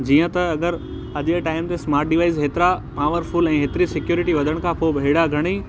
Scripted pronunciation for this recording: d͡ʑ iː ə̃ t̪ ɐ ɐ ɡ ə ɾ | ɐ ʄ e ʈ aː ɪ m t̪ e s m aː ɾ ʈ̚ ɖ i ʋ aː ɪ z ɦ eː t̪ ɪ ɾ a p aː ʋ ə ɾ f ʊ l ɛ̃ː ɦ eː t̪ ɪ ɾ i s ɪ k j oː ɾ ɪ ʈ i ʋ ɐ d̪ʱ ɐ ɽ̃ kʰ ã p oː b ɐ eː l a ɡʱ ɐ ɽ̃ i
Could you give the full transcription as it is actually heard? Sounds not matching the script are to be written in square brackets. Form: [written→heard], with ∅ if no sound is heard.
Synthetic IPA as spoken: d͡ʑ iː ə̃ t̪ ɐ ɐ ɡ ə ɾ | ɐ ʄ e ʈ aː ɪ m t̪ e s m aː ɾ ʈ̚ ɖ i ʋ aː ɪ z ɦ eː t̪ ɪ ɾ a p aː ʋ ə ɾ f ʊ l ɛ̃ː ɦ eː t̪ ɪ ɾ i s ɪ k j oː ɾ ɪ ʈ i ʋ ɐ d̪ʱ [ɐ→ə] ɽ̃ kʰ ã p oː b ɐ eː [l→ɽ] a ɡʱ ɐ ɽ̃ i